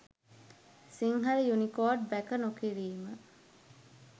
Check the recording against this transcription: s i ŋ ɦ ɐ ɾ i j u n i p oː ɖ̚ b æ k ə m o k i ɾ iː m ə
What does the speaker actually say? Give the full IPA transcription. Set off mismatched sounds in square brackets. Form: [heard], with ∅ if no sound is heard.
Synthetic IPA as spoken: s i ŋ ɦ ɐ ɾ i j u n i [k] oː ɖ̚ b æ k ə [n] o k i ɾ iː m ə